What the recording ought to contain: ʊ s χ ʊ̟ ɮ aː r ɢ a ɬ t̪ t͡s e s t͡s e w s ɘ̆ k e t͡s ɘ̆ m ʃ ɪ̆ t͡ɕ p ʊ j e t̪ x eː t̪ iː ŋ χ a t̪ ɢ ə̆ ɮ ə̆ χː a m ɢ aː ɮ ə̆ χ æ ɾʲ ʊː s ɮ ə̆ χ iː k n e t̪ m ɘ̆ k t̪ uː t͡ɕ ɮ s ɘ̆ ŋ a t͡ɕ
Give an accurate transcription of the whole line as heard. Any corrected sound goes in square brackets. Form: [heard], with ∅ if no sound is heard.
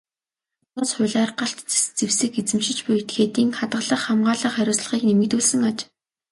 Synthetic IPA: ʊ s χ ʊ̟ ɮ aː r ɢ a ɬ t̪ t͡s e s t͡s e w s ɘ̆ k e t͡s ɘ̆ m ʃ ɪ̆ t͡ɕ p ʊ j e t̪ x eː t̪ iː ŋ χ a t̪ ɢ ə̆ ɮ ə̆ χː a m ɢ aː ɮ ə̆ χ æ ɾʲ ʊː s ɮ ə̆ χ iː k n e [∅] m ɘ̆ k t̪ uː [∅] ɮ s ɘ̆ ŋ a t͡ɕ